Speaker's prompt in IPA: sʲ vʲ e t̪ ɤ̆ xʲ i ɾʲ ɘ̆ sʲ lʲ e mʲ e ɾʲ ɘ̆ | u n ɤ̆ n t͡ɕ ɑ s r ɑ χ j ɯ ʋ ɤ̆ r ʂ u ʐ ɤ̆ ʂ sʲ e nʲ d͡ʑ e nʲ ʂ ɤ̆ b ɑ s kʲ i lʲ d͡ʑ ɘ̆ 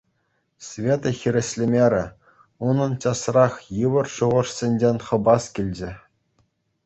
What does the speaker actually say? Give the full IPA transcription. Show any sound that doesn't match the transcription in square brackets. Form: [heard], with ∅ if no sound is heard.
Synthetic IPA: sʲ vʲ e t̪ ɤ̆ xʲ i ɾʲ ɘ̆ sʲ lʲ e mʲ e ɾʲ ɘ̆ | u n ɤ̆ n t͡ɕ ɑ s r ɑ χ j ɯ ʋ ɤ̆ r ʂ u [ʁ] ɤ̆ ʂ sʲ e nʲ d͡ʑ e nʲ [χ] ɤ̆ b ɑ s kʲ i lʲ d͡ʑ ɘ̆